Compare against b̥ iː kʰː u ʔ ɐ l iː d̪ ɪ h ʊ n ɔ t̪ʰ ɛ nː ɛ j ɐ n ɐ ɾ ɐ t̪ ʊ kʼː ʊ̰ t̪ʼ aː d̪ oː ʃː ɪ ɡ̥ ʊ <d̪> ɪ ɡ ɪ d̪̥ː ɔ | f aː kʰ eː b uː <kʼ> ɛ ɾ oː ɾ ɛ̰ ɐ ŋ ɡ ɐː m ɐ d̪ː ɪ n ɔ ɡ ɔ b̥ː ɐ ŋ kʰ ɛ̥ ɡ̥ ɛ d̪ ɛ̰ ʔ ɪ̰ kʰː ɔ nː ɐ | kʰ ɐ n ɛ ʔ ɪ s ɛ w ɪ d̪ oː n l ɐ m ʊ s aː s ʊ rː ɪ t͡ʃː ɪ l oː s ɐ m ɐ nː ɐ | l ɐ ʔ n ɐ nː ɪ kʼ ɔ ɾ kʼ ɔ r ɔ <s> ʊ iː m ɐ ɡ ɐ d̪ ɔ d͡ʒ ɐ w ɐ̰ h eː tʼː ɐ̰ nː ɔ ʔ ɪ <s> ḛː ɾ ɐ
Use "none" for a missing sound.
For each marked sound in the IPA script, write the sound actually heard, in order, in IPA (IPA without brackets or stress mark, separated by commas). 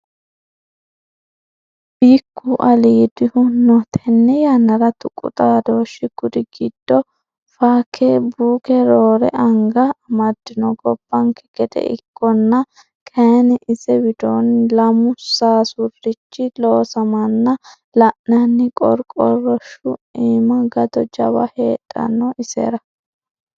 d̪, k, ʃ, s